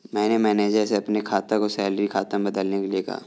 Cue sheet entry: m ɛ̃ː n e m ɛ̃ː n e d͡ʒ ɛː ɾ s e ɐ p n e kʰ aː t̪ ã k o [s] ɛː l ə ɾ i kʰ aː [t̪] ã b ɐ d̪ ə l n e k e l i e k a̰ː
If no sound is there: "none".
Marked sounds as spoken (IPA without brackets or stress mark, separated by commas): s, t̪